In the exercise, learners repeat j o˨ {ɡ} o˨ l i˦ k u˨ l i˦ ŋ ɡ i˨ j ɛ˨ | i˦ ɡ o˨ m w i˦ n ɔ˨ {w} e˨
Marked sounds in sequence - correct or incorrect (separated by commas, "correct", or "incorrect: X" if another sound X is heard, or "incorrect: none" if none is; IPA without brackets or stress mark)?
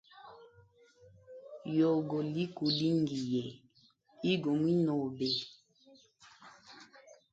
correct, incorrect: b